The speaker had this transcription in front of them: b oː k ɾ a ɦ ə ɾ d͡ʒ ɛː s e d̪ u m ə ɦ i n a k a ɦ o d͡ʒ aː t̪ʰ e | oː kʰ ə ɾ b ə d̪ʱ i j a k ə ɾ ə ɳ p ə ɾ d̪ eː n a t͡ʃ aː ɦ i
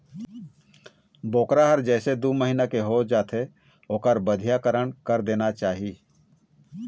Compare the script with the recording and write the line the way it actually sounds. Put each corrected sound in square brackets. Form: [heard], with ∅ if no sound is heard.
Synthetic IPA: b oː k ɾ a ɦ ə ɾ d͡ʒ ɛː s e d̪ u m ə ɦ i n a k [e] ɦ o d͡ʒ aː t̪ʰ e | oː [k] ə ɾ b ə d̪ʱ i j a k ə ɾ ə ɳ [k] ə ɾ d̪ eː n a t͡ʃ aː ɦ i